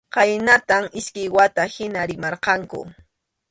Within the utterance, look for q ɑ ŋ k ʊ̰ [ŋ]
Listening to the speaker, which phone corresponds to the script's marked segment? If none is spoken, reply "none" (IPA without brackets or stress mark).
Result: none